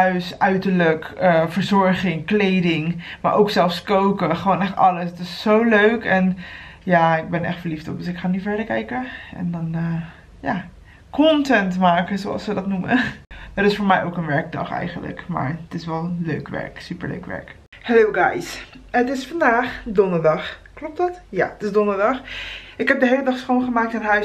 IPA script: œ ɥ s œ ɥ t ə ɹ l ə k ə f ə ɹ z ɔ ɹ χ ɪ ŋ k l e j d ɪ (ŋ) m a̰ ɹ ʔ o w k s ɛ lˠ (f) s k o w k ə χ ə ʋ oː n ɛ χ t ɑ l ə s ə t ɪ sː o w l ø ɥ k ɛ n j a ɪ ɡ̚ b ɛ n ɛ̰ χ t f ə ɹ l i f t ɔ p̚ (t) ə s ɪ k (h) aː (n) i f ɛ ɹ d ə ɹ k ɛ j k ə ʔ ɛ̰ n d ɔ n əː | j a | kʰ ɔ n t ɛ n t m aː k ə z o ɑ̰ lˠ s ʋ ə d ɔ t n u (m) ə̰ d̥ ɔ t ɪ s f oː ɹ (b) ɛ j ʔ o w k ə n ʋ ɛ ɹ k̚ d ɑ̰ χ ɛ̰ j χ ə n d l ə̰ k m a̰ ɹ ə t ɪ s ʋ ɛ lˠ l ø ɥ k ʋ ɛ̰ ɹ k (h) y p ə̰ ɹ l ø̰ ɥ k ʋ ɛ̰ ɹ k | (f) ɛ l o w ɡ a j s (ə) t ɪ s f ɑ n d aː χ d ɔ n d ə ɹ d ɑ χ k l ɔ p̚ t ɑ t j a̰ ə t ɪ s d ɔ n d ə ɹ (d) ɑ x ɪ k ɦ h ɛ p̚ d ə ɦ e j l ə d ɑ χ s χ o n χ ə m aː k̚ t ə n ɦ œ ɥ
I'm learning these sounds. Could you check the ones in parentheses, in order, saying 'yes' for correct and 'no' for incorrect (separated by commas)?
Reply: yes, yes, no, no, yes, yes, no, no, no, yes, yes